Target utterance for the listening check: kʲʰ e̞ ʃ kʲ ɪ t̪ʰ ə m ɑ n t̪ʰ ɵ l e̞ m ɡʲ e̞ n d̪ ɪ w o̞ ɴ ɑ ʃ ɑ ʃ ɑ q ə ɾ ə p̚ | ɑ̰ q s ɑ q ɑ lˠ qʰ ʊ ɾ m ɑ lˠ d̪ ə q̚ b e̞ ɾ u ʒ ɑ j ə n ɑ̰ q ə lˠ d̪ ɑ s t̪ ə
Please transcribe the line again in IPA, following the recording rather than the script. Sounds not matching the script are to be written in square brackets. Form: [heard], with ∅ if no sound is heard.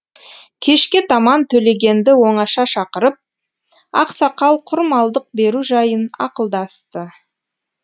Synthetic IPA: kʲʰ e̞ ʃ kʲ ɪ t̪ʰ [ɑ] m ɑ n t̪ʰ ɵ l e̞ [∅] ɡʲ e̞ n d̪ ɪ w o̞ ɴ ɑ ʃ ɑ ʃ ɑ q ə ɾ ə p̚ | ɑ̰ q s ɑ q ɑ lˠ qʰ ʊ ɾ m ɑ lˠ d̪ ə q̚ b e̞ ɾ u ʒ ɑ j ə n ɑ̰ q ə lˠ d̪ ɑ s t̪ ə